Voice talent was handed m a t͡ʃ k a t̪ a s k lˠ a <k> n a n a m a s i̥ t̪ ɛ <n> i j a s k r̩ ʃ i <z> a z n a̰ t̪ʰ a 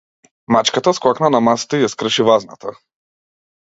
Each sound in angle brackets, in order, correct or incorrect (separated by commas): correct, incorrect, incorrect